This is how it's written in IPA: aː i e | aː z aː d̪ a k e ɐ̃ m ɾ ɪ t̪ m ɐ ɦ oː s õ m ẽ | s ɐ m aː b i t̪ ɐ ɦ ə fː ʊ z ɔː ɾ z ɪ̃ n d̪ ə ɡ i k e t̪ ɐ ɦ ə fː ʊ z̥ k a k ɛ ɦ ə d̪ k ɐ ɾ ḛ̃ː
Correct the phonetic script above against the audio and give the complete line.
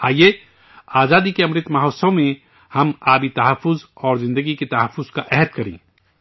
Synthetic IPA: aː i e | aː z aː d̪ i k e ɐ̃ m ɾ ɪ t̪ m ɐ ɦ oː s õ m ẽ | h ɐ m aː b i t̪ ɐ ɦ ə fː ʊ z ɔː ɾ z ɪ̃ n d̪ ə ɡ i k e t̪ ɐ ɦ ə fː ʊ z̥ k a ʔ ɛ ɦ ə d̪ k ɐ ɾ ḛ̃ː